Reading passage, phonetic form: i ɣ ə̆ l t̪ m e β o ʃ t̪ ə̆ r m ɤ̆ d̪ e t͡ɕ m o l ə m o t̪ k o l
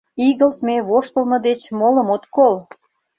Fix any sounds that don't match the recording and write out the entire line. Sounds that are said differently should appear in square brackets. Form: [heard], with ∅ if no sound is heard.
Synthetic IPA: i ɣ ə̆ l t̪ m e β o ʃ t̪ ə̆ [l] m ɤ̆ d̪ e t͡ɕ m o l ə m o t̪ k o l